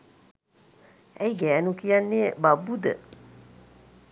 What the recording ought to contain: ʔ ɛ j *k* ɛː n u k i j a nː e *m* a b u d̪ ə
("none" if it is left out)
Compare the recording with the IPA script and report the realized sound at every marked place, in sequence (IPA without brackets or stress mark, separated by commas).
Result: ɡ, b